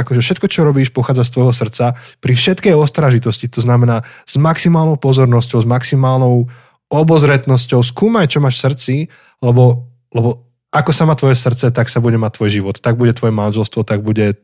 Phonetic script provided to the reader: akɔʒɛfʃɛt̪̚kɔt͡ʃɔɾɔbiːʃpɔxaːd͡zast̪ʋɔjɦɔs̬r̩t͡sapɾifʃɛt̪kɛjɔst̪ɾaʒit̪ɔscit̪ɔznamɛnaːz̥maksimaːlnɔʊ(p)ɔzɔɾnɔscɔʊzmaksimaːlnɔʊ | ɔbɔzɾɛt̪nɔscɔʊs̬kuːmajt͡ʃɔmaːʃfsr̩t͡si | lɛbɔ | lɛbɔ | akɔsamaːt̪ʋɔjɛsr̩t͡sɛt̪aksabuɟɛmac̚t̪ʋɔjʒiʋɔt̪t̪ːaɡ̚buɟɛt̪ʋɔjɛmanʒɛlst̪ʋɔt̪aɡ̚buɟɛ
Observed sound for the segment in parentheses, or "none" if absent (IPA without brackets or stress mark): p